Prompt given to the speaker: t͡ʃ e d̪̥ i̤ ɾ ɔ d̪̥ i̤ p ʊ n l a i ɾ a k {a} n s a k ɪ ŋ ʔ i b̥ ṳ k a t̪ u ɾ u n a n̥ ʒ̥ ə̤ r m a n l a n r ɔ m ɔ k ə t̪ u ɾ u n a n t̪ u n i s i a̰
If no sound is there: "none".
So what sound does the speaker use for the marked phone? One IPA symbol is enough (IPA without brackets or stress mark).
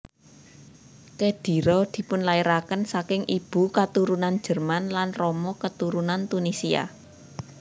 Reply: ə